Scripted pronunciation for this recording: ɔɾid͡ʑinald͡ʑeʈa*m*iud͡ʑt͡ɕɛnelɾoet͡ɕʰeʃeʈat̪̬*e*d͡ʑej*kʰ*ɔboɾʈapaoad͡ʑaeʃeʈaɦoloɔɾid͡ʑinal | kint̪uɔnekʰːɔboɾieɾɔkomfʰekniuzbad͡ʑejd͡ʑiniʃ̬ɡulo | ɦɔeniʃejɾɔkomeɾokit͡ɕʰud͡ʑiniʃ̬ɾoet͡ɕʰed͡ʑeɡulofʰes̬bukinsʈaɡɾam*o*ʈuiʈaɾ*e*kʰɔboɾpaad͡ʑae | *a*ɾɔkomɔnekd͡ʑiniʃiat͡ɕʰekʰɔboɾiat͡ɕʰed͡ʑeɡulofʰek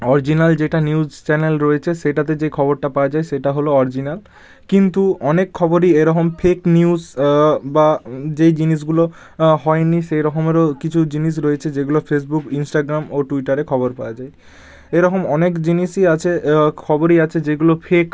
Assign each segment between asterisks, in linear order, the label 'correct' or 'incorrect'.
incorrect, correct, correct, correct, correct, incorrect

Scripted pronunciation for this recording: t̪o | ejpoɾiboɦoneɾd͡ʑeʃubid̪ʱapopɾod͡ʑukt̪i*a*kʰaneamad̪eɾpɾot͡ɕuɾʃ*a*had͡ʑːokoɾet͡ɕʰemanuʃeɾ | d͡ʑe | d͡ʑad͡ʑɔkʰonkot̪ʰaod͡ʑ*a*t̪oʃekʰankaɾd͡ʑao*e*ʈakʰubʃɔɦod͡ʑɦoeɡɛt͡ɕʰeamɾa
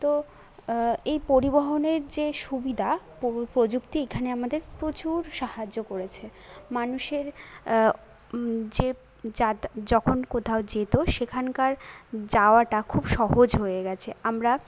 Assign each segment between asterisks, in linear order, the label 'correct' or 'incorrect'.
incorrect, correct, incorrect, incorrect

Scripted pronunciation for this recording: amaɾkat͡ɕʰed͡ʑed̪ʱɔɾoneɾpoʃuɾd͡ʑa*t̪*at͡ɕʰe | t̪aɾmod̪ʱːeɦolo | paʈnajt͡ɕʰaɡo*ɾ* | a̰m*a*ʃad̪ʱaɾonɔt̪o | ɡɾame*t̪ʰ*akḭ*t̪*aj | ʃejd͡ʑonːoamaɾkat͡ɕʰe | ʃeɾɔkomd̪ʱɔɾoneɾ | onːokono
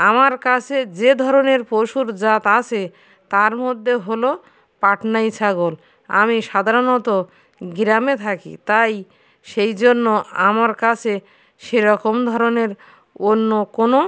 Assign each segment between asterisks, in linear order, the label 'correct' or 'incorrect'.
correct, incorrect, incorrect, correct, correct

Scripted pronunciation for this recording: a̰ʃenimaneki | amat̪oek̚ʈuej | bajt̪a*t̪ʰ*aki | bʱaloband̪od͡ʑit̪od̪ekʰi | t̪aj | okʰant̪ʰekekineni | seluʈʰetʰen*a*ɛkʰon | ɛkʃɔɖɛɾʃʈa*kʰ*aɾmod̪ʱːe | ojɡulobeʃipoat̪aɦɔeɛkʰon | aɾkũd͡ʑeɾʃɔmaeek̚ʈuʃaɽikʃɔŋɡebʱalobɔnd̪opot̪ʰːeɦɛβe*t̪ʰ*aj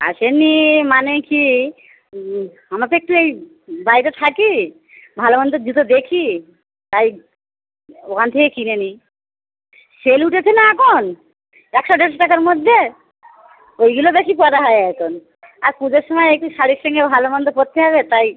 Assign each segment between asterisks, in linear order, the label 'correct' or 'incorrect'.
correct, correct, incorrect, incorrect

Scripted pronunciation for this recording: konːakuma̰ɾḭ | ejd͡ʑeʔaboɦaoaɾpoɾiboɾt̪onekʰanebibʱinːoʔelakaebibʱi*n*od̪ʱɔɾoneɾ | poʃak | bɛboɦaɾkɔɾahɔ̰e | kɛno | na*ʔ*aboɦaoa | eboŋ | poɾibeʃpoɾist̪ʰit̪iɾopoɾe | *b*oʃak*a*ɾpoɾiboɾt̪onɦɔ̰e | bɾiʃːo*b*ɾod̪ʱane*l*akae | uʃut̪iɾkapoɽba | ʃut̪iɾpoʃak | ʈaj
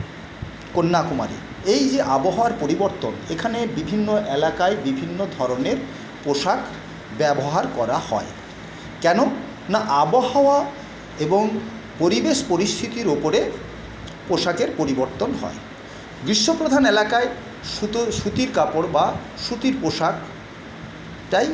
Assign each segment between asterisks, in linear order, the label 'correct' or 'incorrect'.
incorrect, correct, incorrect, incorrect, incorrect, correct

